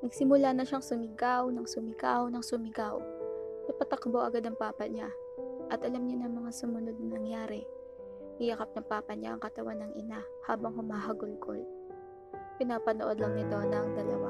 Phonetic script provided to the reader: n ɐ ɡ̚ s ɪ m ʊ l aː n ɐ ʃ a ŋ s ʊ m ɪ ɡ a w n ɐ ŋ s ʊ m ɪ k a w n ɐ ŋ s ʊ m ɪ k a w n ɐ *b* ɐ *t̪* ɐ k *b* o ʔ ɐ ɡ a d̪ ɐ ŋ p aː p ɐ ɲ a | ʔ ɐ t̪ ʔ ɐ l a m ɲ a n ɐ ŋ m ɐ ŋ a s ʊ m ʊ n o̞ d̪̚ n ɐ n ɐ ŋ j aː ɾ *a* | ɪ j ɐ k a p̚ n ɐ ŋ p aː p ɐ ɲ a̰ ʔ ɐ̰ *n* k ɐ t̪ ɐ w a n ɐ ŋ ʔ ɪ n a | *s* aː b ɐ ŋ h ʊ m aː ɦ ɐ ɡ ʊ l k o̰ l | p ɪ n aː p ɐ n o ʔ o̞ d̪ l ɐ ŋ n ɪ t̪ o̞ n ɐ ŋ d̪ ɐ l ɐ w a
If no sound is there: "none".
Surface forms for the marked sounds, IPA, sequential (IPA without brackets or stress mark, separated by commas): p, t̪, b, ɛ, ŋ, h